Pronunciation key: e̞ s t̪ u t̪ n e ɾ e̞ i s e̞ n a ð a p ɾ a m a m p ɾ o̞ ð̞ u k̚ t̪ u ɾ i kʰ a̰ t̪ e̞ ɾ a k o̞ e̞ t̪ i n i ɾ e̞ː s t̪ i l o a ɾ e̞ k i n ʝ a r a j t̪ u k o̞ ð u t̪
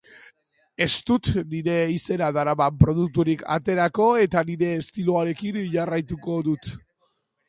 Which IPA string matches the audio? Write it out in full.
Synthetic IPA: e̞ s t̪ u t̪ n i ɾ e̞ i s e̞ n a ð a ɾ a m a m p ɾ o̞ ð̞ u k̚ t̪ u ɾ i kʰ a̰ t̪ e̞ ɾ a k o̞ e̞ t̪ a n i ɾ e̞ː s t̪ i l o a ɾ e̞ k i n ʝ a r a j t̪ u k o̞ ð u t̪